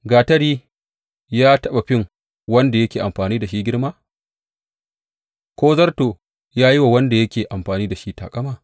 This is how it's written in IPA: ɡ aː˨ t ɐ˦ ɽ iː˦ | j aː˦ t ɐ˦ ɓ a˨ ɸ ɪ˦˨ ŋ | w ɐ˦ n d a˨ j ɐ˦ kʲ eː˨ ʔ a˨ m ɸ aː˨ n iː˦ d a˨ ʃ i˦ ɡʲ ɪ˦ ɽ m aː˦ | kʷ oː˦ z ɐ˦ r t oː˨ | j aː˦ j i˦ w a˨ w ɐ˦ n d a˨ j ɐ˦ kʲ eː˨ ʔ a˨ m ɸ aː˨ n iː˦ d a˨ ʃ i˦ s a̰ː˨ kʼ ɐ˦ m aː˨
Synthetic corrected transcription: ɡ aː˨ t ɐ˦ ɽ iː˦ | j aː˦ t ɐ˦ ɓ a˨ ɸ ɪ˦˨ ŋ | w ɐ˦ n d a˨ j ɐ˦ kʲ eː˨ ʔ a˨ m ɸ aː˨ n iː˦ d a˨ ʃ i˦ ɡʲ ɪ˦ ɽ m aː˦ | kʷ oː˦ z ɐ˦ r t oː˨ | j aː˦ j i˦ w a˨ w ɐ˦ n d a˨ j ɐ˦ kʲ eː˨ ʔ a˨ m ɸ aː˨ n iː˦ d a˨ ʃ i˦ t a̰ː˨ kʼ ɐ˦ m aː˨